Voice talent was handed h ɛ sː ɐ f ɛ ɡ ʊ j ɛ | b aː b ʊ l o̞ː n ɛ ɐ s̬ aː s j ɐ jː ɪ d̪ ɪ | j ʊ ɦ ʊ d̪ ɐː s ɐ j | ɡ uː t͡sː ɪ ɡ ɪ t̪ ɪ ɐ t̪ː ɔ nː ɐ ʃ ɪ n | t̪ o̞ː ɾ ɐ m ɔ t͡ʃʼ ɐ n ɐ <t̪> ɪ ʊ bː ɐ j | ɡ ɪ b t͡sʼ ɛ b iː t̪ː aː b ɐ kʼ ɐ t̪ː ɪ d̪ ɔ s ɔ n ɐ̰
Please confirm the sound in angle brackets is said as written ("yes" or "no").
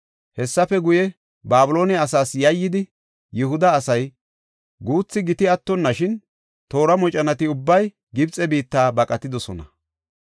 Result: yes